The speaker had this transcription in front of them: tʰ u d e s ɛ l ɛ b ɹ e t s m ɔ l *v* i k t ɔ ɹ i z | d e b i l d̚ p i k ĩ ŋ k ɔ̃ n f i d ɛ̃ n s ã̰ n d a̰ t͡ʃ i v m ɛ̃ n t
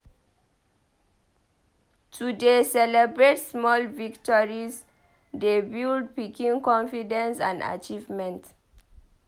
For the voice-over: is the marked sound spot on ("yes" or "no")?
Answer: yes